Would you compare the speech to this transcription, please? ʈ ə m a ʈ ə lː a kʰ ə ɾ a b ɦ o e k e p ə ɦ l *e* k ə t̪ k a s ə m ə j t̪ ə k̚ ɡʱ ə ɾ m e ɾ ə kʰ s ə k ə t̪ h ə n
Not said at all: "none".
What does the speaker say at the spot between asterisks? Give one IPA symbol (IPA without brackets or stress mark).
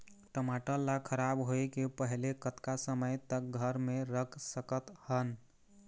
e